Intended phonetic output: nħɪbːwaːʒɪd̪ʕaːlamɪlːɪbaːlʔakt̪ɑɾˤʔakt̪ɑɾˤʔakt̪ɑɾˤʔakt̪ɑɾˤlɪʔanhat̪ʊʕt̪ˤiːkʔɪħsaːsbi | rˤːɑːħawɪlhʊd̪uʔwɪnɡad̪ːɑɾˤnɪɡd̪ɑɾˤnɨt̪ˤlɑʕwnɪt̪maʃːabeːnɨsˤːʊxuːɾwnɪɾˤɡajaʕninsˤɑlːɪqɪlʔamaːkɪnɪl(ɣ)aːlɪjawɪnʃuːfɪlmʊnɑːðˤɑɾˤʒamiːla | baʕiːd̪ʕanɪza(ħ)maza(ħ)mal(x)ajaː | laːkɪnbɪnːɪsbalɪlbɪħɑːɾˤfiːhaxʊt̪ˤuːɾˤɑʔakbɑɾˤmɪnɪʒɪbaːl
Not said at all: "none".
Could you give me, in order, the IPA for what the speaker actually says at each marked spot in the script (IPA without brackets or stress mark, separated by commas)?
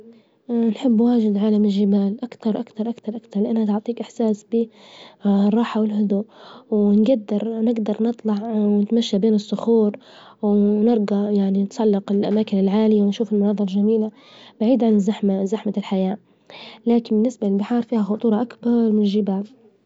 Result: ʕ, ħ, ħ, ħ